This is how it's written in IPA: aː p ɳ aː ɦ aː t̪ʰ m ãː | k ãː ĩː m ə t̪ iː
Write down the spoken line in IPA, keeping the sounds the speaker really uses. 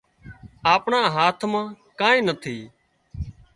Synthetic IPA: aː p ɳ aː ɦ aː t̪ʰ m ãː | k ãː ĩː n ə t̪ʰ iː